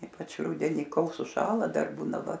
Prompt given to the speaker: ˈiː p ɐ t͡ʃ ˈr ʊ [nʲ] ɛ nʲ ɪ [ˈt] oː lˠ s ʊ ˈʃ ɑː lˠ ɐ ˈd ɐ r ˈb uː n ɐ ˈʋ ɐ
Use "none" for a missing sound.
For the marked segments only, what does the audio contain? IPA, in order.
dʲ, k

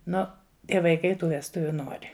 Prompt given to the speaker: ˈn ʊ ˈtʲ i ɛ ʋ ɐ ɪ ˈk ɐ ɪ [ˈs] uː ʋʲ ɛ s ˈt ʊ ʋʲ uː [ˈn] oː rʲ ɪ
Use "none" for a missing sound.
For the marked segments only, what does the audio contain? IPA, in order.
t, n

